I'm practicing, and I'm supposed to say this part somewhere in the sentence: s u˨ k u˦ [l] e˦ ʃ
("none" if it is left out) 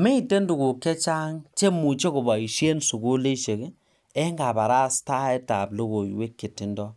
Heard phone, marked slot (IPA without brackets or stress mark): l